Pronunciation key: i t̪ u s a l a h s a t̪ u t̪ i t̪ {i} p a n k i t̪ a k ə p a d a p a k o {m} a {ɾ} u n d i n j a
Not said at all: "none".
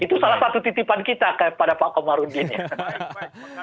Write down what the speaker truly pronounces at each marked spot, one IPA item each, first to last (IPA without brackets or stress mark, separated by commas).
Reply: i, m, ɾ